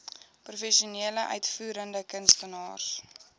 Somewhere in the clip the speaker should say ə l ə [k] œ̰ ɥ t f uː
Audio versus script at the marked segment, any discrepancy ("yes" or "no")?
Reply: yes